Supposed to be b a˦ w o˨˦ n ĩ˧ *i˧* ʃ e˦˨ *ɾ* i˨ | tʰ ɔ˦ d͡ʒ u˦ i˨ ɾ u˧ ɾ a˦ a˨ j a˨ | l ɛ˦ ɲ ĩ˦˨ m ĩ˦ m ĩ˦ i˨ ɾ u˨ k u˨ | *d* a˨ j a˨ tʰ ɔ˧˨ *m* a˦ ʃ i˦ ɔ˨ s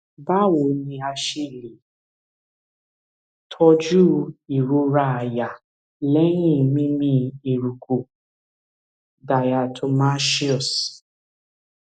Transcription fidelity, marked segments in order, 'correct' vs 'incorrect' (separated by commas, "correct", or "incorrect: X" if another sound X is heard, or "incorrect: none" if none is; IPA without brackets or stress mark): incorrect: a˧, incorrect: l, correct, correct